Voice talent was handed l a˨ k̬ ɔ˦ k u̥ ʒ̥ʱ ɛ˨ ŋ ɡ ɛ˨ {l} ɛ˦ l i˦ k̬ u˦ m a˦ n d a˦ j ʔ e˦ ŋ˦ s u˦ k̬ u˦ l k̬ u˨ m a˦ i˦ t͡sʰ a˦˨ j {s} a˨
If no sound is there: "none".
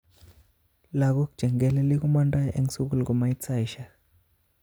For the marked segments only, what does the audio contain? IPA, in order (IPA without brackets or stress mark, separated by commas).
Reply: l, ʃ